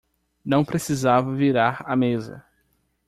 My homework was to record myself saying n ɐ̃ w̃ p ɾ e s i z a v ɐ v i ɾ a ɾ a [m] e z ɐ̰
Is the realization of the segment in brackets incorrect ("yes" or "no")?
no